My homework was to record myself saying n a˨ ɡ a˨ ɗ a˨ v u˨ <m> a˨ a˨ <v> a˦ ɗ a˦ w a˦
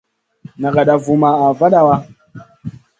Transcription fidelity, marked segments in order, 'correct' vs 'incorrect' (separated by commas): correct, correct